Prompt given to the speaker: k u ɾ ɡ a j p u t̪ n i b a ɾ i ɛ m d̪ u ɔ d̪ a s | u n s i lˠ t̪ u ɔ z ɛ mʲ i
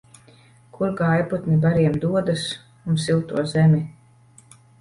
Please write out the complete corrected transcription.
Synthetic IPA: k u ɾ ɡ a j p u t̪ n i b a ɾ i ɛ m d̪ u ɔ d̪ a s | u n s i lˠ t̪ u ɔ z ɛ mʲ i